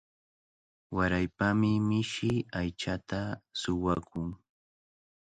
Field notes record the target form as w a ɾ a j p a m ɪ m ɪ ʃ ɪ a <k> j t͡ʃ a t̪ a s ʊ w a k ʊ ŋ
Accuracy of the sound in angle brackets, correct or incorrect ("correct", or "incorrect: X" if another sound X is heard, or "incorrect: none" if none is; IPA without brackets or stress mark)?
incorrect: none